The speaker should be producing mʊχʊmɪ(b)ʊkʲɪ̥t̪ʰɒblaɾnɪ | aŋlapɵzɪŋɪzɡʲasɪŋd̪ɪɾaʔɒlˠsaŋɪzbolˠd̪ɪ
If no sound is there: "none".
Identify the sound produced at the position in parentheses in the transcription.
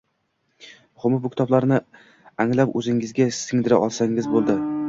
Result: b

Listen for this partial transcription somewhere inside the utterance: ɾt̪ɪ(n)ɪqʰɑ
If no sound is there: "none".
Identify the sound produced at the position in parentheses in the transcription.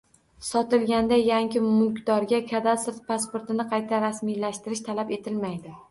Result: n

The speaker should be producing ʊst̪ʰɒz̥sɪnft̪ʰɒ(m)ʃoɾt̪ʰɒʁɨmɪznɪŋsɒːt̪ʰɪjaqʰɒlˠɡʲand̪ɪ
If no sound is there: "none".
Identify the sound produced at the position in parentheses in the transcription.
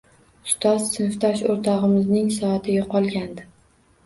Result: none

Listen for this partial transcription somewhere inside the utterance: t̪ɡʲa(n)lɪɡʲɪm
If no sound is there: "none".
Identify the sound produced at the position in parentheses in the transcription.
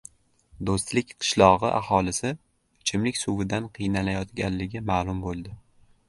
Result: n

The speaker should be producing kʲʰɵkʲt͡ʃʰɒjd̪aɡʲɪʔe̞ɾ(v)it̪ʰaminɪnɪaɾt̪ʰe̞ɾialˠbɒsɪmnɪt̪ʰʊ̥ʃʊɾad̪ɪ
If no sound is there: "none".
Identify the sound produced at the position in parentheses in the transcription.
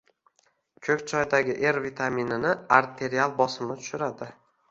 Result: v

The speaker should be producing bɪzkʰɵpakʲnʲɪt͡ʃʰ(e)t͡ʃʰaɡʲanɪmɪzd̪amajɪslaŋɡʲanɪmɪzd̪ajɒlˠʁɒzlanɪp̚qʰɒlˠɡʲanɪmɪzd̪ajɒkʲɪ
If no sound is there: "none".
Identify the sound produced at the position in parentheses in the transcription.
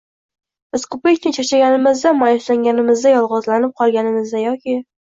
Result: a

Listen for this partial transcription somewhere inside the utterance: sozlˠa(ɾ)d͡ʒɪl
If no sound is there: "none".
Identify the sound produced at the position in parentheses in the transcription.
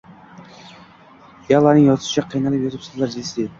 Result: ɾ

